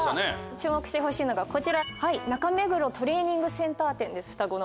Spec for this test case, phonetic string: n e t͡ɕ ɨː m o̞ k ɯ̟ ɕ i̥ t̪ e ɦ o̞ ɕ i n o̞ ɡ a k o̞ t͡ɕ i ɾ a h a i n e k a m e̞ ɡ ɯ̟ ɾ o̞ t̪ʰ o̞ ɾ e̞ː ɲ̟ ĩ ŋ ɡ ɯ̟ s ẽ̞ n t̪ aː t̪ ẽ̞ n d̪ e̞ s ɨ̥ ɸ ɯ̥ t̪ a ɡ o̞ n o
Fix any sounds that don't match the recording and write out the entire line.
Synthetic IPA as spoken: n e t͡ɕ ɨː m o̞ k ɯ̟ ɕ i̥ t̪ e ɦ o̞ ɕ iː n o̞ ɡ a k o̞ t͡ɕ i ɾ a h a i n a k a m e̞ ɡ ɯ̟ ɾ o̞ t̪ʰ o̞ ɾ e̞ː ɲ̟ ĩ ŋ ɡ ɯ̟ s ẽ̞ n t̪ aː t̪ ẽ̞ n d̪ e̞ s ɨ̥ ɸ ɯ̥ t̪ a ɡ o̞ n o